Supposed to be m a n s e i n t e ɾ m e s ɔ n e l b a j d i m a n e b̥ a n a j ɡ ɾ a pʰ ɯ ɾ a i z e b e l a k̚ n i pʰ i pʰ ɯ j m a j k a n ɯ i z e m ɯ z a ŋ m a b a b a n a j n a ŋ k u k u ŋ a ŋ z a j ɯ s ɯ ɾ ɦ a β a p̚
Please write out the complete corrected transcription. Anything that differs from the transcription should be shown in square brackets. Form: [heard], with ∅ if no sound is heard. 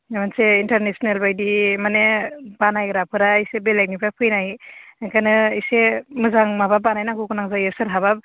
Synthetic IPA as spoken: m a n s e i n t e ɾ [n] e s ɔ n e l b a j d i m a n e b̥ a n a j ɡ ɾ a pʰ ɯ ɾ a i [s] e b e l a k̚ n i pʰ [a] pʰ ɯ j [n] a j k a n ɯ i [s] e m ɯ z a ŋ m a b a b a n a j n a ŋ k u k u [n] a ŋ z a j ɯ s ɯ ɾ ɦ a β a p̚